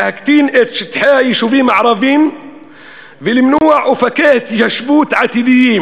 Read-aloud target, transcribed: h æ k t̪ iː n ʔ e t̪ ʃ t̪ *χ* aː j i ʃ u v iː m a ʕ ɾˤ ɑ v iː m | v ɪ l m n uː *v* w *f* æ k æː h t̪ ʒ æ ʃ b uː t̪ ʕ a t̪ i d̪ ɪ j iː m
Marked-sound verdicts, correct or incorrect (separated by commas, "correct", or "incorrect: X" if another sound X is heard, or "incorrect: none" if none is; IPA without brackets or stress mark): incorrect: ħ, incorrect: ʕ, correct